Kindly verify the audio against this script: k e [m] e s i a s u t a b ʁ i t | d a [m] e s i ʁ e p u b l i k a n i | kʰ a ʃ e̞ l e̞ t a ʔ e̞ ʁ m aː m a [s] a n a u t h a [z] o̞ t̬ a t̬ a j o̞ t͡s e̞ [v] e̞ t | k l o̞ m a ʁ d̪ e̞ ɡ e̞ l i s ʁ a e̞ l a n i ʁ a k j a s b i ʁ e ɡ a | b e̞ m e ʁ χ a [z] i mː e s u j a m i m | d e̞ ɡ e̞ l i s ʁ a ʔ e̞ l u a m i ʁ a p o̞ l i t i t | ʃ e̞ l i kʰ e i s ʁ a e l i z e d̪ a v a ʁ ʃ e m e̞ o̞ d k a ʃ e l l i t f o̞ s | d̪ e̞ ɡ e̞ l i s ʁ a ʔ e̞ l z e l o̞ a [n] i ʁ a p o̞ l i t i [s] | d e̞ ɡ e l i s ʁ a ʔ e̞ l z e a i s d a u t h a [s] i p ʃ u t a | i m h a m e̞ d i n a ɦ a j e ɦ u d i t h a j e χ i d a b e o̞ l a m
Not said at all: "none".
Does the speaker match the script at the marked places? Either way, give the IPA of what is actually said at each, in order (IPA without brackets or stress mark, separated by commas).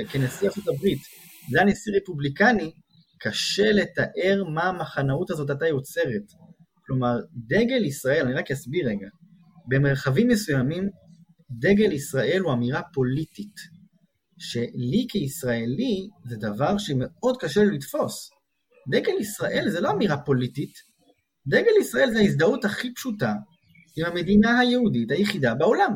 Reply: n, n, χ, z, ʁ, v, m, t, χ